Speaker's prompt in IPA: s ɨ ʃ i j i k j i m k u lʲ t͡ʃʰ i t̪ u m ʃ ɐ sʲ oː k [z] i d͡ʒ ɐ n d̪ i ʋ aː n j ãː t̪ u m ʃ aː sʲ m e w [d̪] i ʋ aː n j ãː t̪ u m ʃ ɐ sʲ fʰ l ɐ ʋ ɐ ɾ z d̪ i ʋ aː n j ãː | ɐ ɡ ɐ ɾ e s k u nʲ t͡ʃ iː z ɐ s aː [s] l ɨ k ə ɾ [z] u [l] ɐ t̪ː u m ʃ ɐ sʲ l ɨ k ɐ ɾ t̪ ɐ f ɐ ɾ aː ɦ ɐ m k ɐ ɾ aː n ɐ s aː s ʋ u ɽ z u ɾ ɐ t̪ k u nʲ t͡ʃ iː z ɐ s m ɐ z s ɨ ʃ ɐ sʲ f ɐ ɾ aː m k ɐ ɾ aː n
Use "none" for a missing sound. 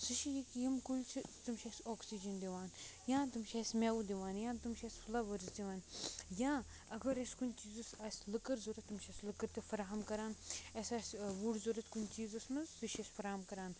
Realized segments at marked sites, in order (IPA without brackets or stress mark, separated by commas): s, d̪, s, z, ɾ